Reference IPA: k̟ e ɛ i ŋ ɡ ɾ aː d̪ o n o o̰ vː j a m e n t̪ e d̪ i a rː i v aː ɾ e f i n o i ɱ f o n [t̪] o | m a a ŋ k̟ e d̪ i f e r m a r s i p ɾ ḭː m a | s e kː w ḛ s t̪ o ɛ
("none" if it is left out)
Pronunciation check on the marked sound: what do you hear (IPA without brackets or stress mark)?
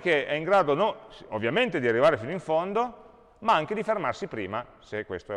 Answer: d̪